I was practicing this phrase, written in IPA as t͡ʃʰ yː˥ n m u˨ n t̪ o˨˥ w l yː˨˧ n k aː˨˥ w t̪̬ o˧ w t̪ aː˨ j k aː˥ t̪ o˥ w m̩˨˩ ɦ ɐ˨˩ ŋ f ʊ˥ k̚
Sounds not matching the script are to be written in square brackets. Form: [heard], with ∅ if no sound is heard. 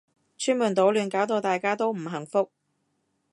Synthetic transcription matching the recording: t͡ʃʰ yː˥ n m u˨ n t̪ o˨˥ w l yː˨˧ n k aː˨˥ w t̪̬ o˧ w t̪ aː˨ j k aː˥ t̪ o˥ w m̩˨˩ ɦ ɐ˨˩ ŋ f ʊ˥ k̚